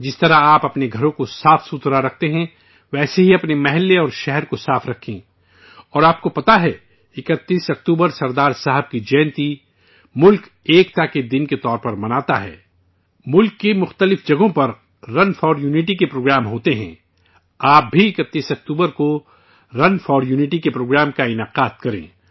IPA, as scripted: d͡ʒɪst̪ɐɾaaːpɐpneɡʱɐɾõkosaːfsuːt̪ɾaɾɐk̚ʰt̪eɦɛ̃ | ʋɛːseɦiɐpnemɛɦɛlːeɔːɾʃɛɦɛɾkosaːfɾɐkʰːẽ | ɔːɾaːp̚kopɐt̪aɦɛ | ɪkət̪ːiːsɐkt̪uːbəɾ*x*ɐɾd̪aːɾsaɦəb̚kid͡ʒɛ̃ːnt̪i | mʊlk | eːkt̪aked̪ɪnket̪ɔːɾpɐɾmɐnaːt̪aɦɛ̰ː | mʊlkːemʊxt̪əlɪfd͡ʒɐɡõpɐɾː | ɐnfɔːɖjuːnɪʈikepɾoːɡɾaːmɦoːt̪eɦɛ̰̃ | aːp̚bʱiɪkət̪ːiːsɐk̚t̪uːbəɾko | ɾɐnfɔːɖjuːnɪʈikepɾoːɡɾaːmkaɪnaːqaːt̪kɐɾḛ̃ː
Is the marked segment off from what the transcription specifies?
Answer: yes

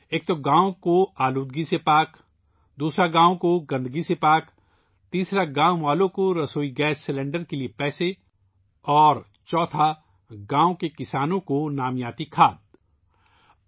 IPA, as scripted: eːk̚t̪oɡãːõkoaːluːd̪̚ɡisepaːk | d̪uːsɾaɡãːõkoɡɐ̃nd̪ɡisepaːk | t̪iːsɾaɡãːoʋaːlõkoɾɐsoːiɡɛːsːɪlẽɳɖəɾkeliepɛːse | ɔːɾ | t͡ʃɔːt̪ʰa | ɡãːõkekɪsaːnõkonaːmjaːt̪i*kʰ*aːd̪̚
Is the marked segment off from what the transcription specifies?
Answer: no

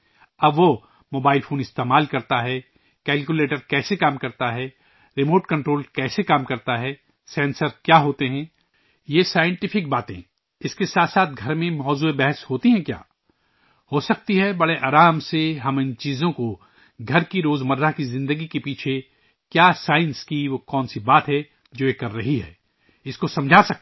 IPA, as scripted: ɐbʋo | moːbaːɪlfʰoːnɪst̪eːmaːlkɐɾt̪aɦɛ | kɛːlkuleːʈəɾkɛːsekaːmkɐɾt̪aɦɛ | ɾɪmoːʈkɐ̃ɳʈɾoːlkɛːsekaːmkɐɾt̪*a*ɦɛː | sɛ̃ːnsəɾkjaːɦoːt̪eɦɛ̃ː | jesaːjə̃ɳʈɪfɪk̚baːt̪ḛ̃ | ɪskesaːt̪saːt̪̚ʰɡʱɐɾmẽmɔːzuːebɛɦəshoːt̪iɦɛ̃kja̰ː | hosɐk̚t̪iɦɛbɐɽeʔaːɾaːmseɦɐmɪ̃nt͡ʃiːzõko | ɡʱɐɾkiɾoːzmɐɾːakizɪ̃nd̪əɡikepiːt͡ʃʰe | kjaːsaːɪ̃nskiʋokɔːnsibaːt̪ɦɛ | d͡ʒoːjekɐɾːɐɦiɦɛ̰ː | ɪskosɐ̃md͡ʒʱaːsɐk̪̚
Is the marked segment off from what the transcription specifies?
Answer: no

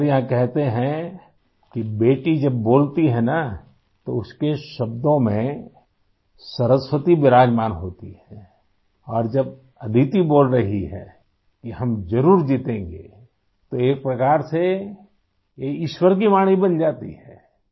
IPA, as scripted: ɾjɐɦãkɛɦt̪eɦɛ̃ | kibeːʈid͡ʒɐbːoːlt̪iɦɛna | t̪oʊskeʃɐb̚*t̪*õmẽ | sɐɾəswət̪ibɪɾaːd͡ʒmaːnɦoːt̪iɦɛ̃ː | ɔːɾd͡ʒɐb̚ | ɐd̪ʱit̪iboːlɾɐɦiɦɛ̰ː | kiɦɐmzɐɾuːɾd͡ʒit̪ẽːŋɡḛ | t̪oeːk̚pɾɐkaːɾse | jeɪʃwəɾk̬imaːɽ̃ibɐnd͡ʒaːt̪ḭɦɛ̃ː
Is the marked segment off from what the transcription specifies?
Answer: yes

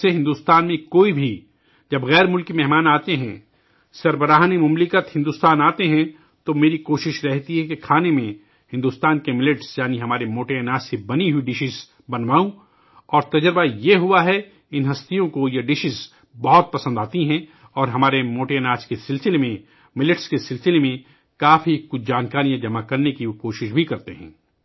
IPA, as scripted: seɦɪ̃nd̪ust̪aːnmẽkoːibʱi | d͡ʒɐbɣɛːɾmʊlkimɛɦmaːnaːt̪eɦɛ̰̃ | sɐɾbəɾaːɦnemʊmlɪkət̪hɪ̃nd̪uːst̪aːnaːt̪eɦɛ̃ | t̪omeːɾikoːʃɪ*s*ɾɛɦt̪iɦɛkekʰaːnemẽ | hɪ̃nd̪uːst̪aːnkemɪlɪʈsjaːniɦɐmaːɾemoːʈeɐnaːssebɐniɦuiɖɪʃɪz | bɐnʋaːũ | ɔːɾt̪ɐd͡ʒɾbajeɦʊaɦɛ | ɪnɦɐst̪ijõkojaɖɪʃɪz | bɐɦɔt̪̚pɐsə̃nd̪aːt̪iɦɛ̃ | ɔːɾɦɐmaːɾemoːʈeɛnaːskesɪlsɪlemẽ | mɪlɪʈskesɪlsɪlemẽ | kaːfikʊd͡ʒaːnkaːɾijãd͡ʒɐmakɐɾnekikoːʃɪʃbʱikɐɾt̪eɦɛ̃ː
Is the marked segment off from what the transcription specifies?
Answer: yes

